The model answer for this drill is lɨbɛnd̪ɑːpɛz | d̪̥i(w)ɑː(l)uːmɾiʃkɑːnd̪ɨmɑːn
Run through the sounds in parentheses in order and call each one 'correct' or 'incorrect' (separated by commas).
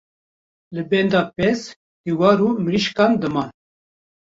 correct, incorrect